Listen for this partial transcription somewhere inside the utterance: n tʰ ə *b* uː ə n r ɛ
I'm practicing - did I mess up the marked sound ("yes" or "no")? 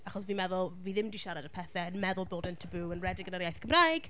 no